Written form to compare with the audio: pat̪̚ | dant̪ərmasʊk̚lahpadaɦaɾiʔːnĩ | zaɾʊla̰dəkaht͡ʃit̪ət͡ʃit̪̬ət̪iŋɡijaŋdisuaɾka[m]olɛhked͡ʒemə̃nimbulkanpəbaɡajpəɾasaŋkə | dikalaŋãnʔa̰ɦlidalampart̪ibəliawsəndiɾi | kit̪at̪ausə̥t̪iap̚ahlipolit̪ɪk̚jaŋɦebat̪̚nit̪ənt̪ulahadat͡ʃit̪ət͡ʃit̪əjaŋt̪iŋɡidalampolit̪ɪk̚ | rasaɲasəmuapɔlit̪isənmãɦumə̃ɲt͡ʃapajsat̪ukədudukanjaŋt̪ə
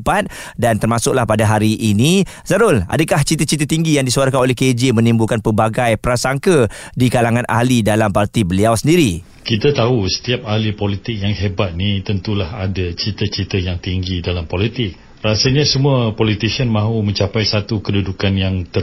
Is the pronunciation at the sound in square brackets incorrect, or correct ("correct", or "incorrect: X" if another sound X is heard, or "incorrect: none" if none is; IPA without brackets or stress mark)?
incorrect: n